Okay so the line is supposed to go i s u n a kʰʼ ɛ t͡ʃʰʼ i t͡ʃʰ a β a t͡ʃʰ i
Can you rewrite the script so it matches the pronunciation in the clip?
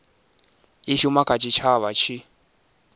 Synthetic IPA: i ʃ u m a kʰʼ a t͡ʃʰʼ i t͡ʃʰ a β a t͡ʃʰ i